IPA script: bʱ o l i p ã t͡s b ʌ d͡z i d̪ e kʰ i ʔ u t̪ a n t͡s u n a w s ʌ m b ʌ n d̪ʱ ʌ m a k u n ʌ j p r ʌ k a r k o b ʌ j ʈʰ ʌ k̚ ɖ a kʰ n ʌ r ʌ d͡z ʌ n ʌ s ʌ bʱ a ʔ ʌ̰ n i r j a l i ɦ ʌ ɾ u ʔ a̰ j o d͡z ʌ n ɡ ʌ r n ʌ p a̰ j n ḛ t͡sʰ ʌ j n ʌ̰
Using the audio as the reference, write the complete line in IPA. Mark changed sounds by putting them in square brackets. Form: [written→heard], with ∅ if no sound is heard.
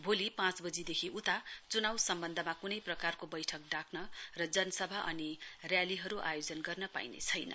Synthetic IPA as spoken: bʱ o l i p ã t͡s b ʌ d͡z i d̪ e kʰ i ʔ u t̪ a [n→∅] t͡s u n a w s ʌ m b ʌ n d̪ʱ ʌ m a k u n ʌ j p r ʌ k a r k o b ʌ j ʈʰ ʌ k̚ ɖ a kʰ n ʌ r ʌ d͡z ʌ n ʌ s ʌ bʱ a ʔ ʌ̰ n i r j a l i ɦ ʌ ɾ u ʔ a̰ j o d͡z ʌ n ɡ ʌ r n ʌ p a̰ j n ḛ t͡sʰ ʌ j n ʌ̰